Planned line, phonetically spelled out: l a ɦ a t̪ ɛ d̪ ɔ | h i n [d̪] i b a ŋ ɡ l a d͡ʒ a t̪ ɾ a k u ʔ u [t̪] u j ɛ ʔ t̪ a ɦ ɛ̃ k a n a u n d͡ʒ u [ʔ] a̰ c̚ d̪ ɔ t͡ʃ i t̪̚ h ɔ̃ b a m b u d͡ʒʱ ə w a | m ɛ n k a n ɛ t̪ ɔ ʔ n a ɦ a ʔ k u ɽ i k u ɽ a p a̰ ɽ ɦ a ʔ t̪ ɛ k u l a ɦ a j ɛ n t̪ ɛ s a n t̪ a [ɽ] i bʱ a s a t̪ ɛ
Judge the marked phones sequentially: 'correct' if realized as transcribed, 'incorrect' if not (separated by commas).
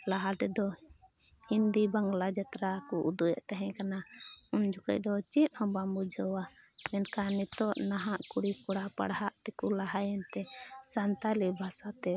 correct, incorrect, incorrect, incorrect